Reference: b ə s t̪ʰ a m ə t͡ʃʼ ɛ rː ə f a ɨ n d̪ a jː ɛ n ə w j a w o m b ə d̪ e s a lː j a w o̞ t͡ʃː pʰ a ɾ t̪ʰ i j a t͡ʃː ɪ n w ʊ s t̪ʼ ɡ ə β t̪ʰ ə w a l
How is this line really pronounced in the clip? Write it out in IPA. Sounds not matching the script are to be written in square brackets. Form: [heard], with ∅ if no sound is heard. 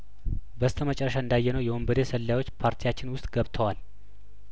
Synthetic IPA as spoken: b ə s t̪ʰ [ə] m ə t͡ʃʼ ɛ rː ə [ʃ] a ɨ n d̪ a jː ɛ n ə w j [ɛ] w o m b ə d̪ e s [ə] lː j a w o̞ t͡ʃː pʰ a ɾ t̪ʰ i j a t͡ʃː ɪ n w ʊ s t̪ʼ ɡ ə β t̪ʰ ə w a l